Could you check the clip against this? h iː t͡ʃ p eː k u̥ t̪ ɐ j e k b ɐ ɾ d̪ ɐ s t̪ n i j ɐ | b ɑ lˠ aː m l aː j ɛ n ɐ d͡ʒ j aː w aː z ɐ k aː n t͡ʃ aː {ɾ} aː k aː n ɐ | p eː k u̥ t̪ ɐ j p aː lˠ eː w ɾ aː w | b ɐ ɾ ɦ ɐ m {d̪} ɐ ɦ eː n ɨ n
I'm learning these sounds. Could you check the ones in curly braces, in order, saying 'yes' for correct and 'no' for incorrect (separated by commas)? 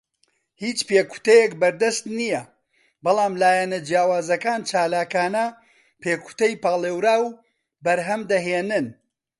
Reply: no, yes